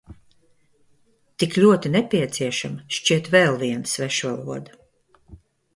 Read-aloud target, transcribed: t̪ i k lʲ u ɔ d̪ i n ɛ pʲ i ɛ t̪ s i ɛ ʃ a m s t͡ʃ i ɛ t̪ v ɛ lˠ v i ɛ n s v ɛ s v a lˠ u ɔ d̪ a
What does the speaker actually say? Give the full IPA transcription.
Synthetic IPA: t̪ i k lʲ u ɔ t̪ i n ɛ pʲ i ɛ t̪ s i ɛ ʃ a m ʃ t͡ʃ i ɛ t̪ v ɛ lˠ v i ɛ n s v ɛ ʃ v a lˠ u ɔ d̪ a